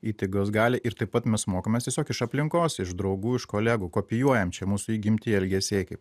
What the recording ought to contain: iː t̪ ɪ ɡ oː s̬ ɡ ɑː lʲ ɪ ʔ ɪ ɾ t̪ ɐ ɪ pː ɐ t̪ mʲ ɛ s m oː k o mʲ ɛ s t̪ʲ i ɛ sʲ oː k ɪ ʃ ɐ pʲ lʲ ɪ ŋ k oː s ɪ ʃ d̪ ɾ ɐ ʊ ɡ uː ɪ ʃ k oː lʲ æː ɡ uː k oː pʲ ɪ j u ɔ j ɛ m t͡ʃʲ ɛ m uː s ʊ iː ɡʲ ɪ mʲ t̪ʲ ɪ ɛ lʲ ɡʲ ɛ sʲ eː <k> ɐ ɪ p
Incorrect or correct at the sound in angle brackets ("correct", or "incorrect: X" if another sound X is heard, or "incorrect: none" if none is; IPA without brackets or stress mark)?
correct